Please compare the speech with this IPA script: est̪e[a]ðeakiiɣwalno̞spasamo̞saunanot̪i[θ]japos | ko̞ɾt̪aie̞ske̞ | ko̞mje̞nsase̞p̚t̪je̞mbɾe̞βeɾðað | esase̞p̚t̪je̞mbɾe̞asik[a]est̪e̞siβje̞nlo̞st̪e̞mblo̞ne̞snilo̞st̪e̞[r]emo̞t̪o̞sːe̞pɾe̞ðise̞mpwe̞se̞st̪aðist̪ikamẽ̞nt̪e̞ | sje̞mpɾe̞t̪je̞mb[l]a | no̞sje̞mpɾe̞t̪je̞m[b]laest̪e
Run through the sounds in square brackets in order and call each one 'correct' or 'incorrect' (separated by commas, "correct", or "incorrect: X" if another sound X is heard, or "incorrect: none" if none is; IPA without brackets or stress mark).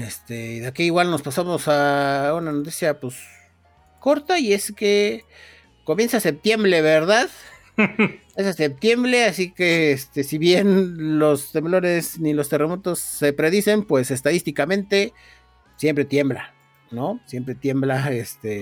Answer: incorrect: i, incorrect: s, incorrect: e, correct, correct, correct